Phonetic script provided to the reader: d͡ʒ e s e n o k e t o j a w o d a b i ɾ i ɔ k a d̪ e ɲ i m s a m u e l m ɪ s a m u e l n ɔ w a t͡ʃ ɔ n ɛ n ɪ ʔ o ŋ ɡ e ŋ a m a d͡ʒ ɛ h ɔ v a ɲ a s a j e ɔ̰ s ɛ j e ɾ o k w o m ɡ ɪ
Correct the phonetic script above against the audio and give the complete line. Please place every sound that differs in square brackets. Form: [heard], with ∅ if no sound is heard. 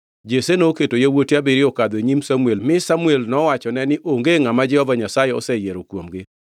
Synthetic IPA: d͡ʒ e s e n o k e t o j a w o [t] a b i ɾ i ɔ k a d̪ e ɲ i m s a m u e l m ɪ s a m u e l n ɔ w a t͡ʃ ɔ n ɛ n ɪ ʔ o ŋ ɡ e ŋ a m a d͡ʒ ɛ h ɔ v a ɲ a s a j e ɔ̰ s ɛ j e ɾ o k w o m ɡ ɪ